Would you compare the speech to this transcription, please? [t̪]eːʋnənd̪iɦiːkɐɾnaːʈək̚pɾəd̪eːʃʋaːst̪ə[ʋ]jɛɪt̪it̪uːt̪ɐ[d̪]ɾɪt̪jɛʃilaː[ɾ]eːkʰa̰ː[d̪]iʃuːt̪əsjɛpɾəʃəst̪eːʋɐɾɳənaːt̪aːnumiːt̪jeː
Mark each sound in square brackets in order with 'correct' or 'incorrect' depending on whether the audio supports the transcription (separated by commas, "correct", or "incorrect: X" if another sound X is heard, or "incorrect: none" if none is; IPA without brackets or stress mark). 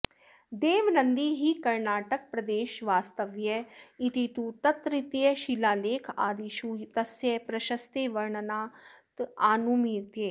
incorrect: d̪, correct, incorrect: t̪, incorrect: l, correct